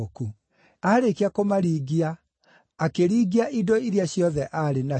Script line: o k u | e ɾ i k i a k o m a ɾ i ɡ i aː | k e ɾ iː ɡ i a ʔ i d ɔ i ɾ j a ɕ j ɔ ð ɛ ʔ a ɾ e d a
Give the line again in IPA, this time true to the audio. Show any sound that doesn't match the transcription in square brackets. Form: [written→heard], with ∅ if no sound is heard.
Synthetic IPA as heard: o k u | [e→a] ɾ [i→e] k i a k o m a ɾ i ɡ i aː | k e ɾ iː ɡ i a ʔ i d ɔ i ɾ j a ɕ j ɔ ð ɛ ʔ a ɾ e [d→n] a